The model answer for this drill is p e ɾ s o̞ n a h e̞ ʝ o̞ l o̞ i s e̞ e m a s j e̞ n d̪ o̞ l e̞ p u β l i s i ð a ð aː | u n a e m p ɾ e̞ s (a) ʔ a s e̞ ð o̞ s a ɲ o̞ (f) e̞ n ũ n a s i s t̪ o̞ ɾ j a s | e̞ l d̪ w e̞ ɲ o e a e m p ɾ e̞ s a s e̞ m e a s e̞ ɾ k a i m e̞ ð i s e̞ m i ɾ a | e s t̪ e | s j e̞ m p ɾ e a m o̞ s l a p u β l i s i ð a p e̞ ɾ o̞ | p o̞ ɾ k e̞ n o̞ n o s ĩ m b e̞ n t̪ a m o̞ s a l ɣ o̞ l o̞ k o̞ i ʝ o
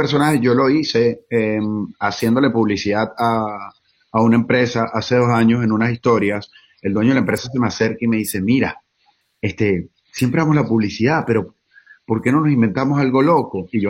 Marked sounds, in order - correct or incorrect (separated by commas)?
correct, incorrect